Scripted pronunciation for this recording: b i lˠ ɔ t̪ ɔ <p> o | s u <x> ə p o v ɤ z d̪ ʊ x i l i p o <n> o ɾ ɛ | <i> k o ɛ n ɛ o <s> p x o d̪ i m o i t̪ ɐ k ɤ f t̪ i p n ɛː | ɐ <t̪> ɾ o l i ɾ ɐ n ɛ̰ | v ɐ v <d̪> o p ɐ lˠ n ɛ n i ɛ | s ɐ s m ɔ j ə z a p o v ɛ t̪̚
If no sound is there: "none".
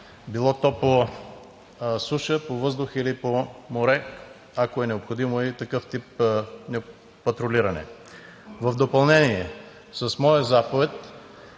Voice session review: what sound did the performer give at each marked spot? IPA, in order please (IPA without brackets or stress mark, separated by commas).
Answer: p, ʃ, m, a, none, t̪, d̪